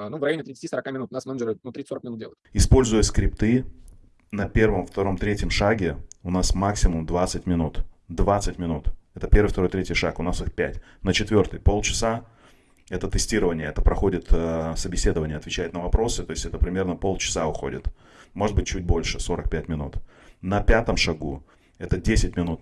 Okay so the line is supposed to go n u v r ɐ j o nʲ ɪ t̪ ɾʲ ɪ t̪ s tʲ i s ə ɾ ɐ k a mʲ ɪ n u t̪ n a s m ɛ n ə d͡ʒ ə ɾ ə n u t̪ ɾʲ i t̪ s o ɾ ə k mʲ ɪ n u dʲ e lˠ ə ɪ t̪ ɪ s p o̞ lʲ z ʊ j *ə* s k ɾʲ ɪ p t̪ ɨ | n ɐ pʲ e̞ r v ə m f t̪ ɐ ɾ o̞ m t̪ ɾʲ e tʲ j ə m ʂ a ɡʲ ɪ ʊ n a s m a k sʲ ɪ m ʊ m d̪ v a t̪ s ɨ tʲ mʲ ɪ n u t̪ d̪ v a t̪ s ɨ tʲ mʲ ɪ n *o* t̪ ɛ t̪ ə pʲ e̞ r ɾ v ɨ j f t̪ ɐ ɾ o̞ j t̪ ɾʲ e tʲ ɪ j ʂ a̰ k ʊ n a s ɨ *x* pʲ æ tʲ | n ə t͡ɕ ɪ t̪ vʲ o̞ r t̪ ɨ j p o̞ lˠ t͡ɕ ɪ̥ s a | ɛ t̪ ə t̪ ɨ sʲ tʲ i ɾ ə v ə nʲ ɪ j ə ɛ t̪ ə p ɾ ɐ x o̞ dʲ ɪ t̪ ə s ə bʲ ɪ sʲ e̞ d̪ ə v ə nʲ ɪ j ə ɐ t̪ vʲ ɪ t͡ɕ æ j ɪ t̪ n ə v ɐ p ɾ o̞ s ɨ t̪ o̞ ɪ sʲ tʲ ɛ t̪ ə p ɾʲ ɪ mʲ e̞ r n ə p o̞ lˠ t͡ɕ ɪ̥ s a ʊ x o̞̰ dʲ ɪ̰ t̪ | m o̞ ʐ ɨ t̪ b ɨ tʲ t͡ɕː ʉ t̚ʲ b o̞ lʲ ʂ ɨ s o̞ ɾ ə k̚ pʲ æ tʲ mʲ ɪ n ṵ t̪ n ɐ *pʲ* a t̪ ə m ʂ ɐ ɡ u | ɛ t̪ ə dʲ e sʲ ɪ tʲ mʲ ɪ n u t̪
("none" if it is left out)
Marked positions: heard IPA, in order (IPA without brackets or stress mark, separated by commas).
ə, u, x, pʲ